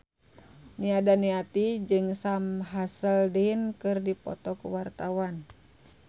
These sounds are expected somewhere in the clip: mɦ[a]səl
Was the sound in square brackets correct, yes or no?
yes